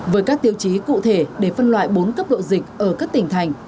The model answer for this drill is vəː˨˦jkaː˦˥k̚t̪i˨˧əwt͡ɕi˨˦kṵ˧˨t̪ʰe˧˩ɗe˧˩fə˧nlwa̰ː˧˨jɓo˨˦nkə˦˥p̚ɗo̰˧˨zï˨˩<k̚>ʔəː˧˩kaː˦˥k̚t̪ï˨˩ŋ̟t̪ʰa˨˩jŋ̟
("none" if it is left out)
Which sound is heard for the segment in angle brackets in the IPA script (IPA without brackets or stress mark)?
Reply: k̚